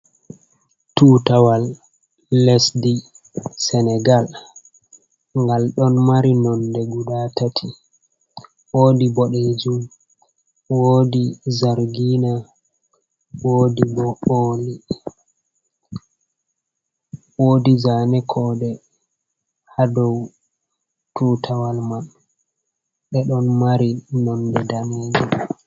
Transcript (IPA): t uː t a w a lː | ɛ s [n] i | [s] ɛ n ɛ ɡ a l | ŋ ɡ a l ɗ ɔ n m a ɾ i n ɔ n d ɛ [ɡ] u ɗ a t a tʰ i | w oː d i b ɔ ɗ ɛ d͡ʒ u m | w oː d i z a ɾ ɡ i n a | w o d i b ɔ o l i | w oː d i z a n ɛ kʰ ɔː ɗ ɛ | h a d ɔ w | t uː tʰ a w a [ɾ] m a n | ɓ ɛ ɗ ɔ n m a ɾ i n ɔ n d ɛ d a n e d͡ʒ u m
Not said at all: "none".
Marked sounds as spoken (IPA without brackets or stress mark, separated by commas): d, s, ɡ, l